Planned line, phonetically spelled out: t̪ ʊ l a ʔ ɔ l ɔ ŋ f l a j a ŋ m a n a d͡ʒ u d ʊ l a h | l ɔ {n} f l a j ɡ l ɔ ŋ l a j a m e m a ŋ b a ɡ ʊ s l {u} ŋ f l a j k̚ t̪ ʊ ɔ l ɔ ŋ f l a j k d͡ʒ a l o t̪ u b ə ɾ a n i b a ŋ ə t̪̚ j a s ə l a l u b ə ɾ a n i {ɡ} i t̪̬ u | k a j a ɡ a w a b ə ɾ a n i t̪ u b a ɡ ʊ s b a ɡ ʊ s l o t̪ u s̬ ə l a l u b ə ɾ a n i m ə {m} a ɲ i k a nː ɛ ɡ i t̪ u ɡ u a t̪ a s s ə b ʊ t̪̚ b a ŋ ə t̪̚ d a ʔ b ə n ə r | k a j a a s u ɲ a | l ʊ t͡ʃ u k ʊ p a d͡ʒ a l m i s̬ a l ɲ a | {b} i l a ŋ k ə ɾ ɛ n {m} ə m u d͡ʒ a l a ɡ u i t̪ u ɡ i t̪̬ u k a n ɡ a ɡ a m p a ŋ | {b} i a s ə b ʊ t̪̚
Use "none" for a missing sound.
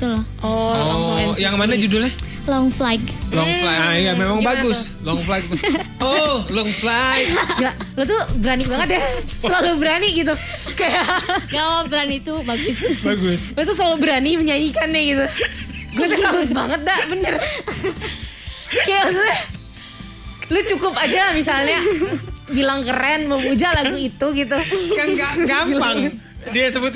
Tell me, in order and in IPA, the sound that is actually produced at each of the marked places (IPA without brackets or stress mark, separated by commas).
ŋ, ɔ, ɡ, ɲ, b, m, d